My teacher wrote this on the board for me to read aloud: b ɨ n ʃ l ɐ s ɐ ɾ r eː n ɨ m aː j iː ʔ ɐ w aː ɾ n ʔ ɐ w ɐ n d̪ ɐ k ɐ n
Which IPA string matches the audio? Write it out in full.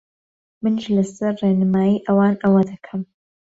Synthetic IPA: m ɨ n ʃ l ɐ s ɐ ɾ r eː n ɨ m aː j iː ʔ ɐ w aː n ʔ ɐ w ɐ d̪ ɐ kʰ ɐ m